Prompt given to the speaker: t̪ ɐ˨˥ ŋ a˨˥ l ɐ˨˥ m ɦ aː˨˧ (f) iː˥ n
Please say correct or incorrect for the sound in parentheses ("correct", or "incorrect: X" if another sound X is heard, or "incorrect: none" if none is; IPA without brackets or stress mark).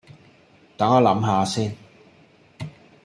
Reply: incorrect: s